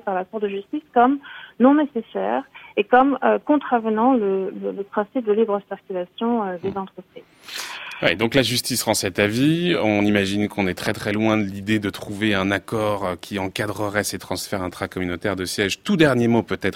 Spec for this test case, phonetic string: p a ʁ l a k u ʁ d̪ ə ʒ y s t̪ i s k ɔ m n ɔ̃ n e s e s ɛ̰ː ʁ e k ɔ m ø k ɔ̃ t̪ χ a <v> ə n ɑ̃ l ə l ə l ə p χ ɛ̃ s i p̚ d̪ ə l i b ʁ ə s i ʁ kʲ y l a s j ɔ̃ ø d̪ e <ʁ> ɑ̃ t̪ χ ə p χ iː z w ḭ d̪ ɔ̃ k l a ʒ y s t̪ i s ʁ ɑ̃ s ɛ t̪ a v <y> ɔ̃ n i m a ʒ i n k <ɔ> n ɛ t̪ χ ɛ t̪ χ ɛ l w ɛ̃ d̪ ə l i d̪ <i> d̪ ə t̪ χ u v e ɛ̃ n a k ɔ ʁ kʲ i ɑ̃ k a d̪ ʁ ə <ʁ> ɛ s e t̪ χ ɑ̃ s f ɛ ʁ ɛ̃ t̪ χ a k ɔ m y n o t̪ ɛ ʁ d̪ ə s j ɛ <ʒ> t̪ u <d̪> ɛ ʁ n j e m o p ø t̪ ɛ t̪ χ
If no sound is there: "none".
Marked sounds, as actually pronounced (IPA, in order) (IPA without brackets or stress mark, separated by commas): v, z, i, ɔ̃, e, ʁ, ʒ, d̪